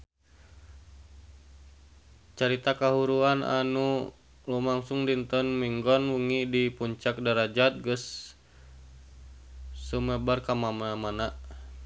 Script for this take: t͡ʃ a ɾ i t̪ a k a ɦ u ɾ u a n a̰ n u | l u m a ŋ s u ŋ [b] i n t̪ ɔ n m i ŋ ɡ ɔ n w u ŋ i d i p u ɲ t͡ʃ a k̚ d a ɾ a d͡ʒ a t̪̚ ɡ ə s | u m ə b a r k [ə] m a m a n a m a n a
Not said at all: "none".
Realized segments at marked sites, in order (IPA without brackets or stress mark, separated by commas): d, a